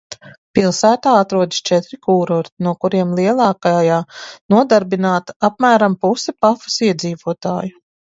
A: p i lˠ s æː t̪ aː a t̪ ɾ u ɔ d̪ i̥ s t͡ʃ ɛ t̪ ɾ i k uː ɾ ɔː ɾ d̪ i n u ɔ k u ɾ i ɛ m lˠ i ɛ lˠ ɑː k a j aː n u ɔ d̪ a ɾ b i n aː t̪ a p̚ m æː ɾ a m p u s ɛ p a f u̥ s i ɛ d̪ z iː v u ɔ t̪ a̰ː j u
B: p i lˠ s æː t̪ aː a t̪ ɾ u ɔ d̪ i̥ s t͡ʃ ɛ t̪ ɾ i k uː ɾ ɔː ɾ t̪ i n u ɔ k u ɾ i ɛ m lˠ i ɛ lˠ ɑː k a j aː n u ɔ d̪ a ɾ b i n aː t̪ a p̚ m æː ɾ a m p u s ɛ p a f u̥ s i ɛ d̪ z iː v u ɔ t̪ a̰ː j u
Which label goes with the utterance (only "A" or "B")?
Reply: B